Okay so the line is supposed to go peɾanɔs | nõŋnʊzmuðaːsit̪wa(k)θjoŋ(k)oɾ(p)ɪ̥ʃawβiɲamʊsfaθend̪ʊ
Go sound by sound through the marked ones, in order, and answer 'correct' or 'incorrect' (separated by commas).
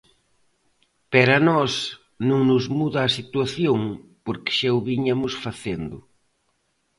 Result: incorrect, incorrect, incorrect